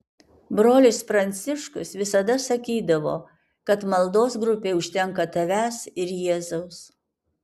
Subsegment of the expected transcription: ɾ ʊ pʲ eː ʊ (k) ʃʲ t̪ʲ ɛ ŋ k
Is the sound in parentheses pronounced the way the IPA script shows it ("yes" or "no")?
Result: no